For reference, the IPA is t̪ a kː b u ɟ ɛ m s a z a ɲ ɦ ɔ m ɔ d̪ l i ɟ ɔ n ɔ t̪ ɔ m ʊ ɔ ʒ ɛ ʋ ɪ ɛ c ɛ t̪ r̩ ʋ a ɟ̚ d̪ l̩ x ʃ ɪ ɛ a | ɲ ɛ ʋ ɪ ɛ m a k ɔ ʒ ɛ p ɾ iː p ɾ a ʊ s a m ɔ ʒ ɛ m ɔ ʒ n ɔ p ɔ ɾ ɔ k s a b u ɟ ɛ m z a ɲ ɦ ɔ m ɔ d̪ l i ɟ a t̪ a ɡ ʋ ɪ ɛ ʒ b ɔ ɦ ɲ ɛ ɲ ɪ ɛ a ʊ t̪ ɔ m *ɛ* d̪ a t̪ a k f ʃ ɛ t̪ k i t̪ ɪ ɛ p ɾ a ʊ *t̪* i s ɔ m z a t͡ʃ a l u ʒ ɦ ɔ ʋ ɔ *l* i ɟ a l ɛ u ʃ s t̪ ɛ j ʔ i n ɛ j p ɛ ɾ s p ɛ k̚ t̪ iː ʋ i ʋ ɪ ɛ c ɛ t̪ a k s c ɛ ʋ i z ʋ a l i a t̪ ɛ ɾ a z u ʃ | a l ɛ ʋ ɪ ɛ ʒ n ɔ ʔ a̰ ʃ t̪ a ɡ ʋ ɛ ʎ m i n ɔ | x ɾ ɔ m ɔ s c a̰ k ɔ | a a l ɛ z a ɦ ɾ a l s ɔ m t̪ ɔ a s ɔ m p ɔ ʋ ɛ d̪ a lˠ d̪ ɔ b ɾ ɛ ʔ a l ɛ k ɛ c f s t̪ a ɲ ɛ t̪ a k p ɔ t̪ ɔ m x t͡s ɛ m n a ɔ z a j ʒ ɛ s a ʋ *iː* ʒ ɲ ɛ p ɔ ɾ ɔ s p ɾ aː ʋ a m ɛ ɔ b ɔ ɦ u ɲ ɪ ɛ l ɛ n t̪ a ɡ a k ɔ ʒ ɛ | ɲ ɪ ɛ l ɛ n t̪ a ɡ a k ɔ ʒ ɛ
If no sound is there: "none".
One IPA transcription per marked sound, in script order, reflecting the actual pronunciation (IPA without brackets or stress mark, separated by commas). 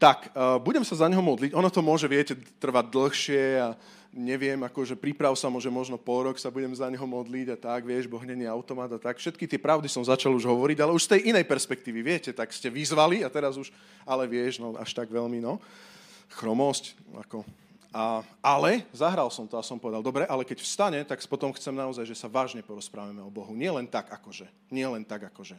a, d̪, ɾ, aː